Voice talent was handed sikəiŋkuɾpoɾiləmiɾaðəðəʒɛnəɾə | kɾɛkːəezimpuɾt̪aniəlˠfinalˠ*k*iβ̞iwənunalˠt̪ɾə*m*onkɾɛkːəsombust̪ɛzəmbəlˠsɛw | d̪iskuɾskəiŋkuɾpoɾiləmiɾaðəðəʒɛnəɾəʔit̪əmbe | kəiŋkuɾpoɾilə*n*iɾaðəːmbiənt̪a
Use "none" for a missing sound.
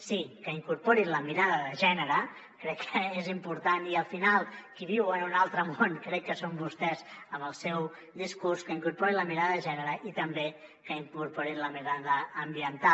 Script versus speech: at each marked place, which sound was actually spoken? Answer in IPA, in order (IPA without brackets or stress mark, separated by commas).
k, m, m